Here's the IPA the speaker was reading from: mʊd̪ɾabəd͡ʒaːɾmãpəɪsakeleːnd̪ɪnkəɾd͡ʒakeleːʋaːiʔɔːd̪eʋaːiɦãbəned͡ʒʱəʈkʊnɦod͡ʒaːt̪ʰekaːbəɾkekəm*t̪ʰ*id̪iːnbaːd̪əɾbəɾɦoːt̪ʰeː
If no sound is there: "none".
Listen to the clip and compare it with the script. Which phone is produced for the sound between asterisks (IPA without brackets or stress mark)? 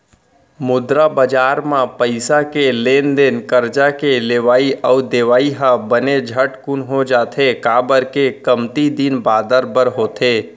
t̪